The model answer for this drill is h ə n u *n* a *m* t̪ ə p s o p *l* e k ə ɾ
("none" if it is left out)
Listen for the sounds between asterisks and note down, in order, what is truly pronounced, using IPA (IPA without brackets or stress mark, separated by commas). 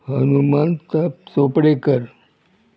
m, n, ɽ